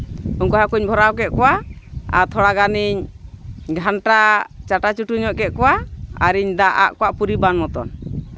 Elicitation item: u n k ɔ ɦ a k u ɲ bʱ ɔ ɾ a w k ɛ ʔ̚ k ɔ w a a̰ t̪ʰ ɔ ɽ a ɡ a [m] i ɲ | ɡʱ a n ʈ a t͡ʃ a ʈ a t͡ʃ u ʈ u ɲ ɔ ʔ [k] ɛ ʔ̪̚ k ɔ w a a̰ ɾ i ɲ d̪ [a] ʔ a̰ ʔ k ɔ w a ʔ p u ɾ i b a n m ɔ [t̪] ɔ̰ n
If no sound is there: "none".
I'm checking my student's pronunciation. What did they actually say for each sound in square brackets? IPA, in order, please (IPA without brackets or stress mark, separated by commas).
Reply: n, k, a, t̪